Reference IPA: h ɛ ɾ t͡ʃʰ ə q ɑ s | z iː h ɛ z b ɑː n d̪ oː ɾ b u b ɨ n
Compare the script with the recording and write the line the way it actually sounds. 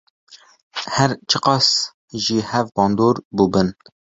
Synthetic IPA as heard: h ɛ ɾ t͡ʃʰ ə q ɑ s | ʒ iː h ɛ v b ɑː n d̪ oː ɾ b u b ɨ n